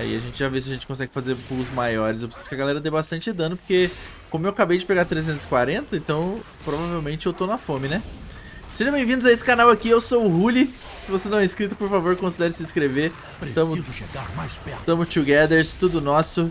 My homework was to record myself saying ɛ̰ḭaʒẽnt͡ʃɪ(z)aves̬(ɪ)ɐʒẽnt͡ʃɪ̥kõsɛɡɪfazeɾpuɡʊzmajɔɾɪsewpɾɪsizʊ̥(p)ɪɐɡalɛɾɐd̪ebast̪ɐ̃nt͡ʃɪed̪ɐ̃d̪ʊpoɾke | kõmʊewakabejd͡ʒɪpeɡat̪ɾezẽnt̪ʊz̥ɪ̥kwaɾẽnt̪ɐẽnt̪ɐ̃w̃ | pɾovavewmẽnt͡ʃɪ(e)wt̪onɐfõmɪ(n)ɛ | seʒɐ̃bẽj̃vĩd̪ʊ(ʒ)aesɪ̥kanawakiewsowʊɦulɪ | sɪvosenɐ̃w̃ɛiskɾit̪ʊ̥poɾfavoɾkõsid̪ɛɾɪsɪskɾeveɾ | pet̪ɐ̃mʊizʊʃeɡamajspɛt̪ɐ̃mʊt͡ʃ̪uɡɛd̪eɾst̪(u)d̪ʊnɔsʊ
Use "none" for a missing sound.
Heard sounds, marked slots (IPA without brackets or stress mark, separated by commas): ʒ, ɪ, k, e, n, z, u